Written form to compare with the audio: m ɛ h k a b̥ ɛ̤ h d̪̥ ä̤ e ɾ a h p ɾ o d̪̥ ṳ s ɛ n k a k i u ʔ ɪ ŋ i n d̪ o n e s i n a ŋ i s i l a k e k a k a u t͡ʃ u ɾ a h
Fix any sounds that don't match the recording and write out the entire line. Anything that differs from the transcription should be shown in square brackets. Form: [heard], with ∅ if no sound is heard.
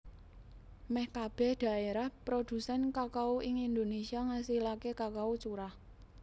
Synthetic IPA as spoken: m ɛ h k a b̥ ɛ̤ h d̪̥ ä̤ e ɾ a h p ɾ o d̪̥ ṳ s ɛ n k a k [a] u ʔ ɪ ŋ i n d̪ o n e s i [∅] a ŋ [a] s i l a k e k a k a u t͡ʃ u ɾ a h